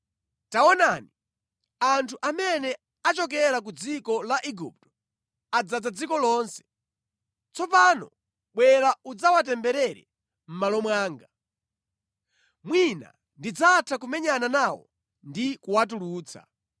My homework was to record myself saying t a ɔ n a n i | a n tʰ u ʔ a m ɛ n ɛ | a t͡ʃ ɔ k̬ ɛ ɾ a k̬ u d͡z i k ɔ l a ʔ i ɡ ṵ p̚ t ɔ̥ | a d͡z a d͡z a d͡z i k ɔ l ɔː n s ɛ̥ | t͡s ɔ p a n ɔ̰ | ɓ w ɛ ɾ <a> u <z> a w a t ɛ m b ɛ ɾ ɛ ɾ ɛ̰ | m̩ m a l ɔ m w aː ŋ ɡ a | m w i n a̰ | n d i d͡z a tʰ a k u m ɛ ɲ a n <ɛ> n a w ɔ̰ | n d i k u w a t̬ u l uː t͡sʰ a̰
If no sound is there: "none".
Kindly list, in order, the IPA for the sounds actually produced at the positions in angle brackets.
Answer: a, d͡z, a

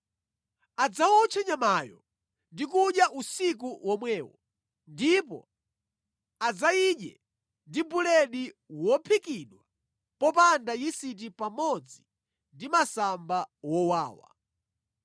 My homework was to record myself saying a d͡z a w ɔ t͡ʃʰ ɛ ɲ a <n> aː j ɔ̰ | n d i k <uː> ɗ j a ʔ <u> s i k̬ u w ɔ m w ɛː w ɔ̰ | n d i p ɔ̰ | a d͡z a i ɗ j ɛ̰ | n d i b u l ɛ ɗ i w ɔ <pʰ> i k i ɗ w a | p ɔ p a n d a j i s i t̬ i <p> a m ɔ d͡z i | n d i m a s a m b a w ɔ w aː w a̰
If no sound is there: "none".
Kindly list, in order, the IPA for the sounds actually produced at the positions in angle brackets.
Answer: m, u, u, pʰ, p

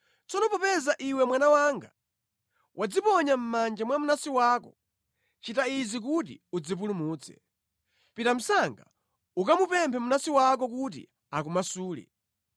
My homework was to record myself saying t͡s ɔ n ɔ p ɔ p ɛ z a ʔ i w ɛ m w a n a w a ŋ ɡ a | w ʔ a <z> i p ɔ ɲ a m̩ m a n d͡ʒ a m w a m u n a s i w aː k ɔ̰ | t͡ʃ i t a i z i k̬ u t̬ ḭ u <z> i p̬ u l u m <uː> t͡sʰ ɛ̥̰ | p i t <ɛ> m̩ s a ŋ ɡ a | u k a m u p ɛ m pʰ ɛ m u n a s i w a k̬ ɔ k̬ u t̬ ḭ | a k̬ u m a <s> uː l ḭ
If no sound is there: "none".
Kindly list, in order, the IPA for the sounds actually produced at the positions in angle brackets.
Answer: d͡z, d͡z, uː, a, s

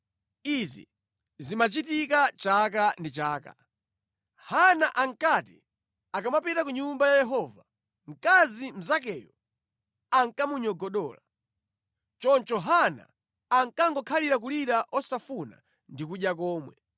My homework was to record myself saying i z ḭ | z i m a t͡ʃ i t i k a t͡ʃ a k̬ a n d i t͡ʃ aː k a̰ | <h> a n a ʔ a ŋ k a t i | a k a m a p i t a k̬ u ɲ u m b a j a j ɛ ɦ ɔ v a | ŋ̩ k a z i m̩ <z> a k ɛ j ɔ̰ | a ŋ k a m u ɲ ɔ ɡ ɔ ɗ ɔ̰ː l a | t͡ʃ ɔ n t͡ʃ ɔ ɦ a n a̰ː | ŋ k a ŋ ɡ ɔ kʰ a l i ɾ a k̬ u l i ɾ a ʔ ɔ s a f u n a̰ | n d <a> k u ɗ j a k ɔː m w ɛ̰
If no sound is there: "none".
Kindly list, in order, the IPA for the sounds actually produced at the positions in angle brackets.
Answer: h, z, i

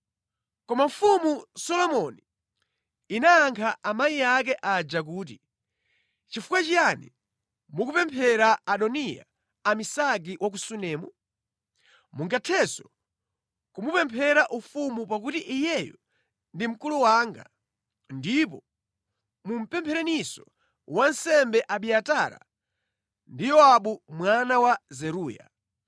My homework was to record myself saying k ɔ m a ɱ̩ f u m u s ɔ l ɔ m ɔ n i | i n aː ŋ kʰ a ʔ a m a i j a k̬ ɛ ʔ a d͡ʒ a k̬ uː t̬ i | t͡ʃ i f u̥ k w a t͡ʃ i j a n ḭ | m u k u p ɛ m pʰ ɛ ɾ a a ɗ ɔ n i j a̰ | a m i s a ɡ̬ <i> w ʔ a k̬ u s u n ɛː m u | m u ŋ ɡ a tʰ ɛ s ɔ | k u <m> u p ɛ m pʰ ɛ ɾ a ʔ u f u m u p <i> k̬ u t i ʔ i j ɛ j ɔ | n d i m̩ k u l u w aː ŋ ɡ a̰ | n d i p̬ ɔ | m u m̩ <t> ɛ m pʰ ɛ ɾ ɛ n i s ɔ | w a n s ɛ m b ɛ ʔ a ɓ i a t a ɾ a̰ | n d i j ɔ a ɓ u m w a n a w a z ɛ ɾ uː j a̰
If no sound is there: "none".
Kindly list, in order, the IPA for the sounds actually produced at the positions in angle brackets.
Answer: i, m, a, p

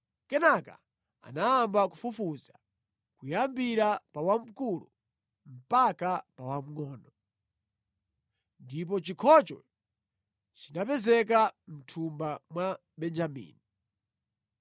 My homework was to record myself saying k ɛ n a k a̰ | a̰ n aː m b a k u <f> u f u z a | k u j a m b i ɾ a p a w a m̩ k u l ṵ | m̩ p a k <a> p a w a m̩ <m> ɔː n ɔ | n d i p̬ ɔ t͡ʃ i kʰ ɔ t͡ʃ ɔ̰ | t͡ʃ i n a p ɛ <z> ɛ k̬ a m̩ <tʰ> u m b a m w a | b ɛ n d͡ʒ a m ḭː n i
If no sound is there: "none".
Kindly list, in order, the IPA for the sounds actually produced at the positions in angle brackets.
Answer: f, a, ŋ, z, tʰ

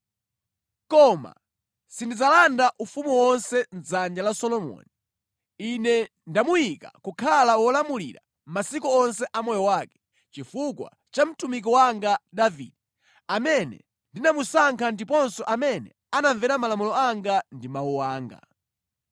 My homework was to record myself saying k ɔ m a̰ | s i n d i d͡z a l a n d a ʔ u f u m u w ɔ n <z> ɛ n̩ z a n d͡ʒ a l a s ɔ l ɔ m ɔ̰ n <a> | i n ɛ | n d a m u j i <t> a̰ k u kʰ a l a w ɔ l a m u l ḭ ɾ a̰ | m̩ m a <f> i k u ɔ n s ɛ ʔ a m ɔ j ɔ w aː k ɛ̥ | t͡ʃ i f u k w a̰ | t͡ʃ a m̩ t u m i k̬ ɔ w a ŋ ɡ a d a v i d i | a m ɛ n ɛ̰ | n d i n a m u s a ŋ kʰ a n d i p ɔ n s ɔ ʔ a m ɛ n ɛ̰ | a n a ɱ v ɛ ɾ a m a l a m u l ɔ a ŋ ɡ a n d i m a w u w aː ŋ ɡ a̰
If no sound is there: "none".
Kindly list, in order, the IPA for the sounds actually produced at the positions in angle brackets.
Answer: s, i, k, s

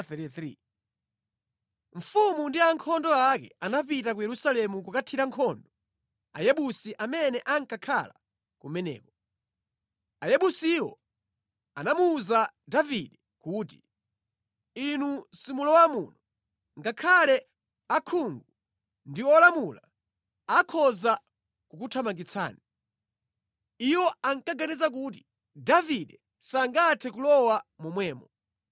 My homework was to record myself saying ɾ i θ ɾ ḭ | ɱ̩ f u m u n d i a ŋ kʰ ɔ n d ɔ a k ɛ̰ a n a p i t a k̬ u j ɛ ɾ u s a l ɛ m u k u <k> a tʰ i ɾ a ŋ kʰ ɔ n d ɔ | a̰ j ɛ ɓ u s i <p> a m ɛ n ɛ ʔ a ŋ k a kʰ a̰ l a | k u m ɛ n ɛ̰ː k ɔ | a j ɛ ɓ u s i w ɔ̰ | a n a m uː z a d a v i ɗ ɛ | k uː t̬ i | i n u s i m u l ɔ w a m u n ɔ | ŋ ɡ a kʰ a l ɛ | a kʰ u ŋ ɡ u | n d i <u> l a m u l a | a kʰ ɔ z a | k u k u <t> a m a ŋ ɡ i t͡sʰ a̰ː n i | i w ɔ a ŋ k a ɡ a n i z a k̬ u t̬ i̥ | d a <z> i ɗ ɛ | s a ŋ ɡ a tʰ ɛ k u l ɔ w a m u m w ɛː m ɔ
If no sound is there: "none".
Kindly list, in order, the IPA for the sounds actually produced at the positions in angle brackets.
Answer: k, ʔ, ɔ, tʰ, v

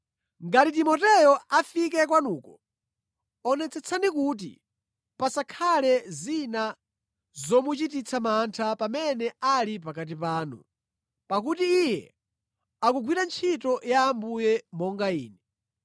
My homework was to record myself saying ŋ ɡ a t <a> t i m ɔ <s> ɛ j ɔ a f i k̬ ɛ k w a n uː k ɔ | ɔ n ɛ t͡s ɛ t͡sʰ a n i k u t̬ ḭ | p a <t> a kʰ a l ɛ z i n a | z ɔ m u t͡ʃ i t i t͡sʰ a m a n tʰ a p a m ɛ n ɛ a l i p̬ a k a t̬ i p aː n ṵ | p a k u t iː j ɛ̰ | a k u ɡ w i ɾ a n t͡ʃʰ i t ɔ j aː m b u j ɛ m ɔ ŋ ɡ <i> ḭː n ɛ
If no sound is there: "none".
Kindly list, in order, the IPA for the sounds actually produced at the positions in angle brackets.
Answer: i, t, s, a

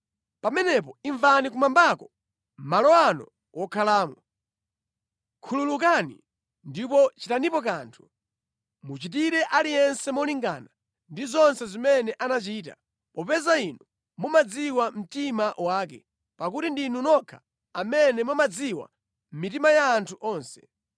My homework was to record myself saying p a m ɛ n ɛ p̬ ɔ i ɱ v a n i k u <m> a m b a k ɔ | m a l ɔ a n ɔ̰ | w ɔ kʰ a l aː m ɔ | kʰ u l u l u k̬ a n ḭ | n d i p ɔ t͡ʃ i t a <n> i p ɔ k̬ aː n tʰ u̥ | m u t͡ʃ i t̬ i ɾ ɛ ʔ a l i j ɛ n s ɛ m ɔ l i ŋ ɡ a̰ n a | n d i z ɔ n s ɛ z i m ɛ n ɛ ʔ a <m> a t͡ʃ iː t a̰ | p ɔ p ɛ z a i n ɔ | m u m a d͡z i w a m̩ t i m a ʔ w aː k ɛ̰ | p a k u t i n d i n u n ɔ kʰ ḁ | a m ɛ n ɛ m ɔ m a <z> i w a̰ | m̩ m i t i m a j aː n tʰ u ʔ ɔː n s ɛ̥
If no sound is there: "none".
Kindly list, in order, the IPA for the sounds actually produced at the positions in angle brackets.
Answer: m, n, n, d͡z

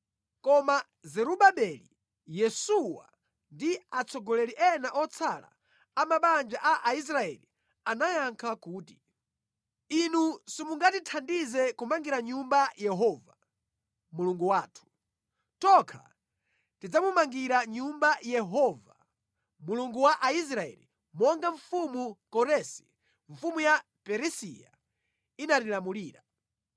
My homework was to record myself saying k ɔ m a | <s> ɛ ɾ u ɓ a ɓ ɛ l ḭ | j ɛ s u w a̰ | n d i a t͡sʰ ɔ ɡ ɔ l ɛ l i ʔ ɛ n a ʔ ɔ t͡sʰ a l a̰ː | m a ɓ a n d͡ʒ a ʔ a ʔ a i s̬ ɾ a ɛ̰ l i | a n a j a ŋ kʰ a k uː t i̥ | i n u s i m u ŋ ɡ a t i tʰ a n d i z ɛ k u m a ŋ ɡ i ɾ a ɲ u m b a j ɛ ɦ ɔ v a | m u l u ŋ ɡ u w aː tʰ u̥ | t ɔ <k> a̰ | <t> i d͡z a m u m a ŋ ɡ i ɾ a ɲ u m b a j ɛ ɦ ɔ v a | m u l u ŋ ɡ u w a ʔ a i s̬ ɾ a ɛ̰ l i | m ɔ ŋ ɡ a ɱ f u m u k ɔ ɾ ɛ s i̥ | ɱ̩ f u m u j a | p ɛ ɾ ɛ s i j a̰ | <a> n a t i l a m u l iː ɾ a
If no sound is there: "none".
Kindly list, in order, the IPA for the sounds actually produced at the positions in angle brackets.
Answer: z, kʰ, t, i

